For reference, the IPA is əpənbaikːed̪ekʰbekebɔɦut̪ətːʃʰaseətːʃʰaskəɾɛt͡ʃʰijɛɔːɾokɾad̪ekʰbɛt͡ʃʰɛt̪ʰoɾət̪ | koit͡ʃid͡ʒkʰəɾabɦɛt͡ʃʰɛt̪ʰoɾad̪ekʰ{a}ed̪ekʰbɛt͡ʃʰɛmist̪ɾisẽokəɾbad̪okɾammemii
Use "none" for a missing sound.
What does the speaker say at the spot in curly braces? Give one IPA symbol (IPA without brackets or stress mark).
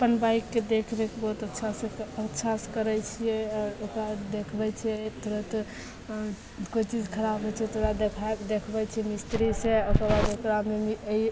a